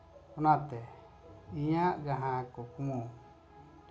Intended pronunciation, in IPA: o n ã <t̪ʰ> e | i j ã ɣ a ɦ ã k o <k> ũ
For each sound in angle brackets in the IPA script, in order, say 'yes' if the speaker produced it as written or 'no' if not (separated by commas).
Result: no, yes